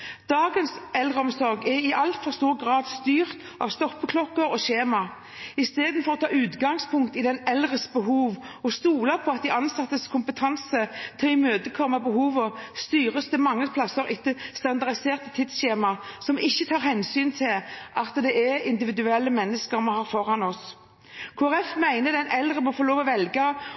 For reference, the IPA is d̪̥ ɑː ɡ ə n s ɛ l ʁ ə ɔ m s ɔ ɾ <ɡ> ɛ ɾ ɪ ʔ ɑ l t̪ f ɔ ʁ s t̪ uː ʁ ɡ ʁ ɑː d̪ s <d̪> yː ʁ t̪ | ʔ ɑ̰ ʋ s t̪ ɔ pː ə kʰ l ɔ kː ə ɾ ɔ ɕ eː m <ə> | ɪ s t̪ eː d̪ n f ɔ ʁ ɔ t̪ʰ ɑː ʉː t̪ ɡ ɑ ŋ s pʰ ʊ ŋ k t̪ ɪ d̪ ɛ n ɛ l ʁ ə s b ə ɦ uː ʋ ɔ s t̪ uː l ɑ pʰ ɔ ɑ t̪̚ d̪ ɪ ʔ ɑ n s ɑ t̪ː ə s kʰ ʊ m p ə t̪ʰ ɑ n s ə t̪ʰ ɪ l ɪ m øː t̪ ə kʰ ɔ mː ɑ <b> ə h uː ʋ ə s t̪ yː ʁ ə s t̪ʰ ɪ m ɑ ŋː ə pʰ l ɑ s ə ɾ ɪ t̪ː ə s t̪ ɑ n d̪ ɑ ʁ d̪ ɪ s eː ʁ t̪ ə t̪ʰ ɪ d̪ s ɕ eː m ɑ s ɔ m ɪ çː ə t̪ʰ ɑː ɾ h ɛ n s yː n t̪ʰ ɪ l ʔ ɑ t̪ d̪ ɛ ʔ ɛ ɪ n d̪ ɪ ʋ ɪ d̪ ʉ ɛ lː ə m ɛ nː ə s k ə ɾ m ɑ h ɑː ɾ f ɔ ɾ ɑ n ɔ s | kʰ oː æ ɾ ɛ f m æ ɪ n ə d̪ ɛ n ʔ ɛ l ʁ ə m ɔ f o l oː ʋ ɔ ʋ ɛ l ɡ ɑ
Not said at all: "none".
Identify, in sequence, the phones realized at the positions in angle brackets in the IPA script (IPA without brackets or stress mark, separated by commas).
ɡ, t̪, ɑ, b